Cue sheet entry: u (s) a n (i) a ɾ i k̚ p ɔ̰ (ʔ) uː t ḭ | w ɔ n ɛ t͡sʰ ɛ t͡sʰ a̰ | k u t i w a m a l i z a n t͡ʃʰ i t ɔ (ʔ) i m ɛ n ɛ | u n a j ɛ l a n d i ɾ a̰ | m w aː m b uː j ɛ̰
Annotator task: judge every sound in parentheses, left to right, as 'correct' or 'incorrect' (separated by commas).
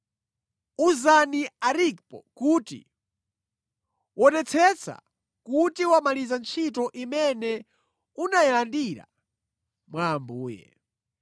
incorrect, correct, incorrect, correct